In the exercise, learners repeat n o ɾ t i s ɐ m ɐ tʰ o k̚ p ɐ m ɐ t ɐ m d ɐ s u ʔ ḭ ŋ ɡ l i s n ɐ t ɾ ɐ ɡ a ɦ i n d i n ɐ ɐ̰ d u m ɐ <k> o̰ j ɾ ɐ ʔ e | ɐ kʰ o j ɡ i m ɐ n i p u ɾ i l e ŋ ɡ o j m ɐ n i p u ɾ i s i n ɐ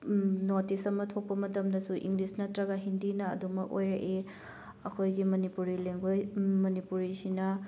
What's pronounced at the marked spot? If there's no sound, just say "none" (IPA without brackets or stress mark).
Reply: k